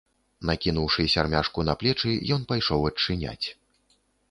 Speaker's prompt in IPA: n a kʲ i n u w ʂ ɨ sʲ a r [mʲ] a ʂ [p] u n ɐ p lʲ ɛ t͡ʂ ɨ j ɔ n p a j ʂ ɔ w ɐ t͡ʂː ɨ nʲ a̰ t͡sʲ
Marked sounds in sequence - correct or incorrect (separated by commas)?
correct, incorrect